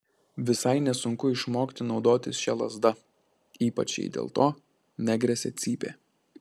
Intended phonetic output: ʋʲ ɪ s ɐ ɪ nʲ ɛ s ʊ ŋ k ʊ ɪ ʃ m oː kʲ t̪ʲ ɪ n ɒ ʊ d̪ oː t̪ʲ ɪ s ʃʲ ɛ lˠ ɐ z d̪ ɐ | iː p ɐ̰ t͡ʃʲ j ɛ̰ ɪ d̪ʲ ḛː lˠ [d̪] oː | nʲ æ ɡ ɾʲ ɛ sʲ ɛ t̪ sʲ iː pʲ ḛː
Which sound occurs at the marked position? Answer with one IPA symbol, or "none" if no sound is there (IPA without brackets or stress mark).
t̪